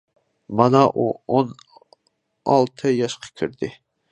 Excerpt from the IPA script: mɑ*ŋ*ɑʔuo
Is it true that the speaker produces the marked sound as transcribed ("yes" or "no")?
no